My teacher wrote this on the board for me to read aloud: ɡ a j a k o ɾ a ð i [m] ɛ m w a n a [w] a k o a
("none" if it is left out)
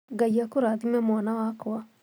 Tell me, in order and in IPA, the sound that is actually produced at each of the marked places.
m, w

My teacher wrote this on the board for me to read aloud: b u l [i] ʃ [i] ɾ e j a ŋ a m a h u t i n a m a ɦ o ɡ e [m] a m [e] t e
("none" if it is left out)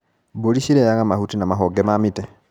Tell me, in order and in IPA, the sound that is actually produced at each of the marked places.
i, i, m, i

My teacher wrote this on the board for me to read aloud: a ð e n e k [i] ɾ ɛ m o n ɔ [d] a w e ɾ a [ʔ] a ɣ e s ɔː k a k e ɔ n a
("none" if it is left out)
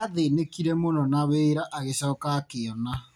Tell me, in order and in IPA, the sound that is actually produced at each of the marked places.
i, n, ʔ

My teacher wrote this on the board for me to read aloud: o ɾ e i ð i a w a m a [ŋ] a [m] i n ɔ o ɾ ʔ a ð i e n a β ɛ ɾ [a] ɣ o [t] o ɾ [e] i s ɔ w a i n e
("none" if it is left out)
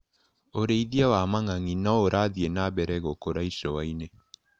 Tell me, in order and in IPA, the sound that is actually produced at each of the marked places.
ŋ, ŋ, ɛ, k, a

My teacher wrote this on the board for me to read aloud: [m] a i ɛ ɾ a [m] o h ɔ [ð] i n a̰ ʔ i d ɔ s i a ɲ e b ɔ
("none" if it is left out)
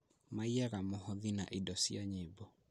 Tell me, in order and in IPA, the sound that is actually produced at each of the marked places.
m, m, ð

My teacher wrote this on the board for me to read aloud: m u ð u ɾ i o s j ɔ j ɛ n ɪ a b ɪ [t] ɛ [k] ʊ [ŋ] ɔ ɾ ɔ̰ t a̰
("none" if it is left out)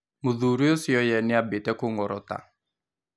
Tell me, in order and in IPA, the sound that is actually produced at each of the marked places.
t, k, ŋ

